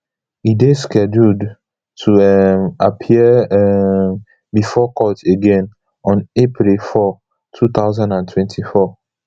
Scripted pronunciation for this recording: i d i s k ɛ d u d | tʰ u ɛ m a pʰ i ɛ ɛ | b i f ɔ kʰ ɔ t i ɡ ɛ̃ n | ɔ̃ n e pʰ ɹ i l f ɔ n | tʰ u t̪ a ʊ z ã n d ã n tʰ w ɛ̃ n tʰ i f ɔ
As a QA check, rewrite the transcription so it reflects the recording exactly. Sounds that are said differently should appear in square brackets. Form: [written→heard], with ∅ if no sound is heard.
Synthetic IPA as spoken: i d [i→e] s k ɛ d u d | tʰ u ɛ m a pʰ i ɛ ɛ | b i f ɔ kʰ ɔ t [i→e] ɡ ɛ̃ n | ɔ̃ n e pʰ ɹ i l f ɔ [n→∅] | tʰ u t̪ a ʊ z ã n d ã n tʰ w ɛ̃ n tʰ i f ɔ